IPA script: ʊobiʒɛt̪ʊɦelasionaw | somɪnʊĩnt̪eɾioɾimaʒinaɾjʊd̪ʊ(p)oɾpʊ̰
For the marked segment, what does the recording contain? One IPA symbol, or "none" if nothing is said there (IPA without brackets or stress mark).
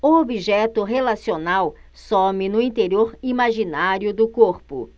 k